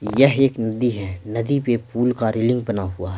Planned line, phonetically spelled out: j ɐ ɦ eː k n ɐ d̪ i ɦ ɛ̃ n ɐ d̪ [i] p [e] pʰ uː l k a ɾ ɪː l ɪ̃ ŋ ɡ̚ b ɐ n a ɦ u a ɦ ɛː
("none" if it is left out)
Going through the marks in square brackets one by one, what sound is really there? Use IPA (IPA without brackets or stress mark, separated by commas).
i, e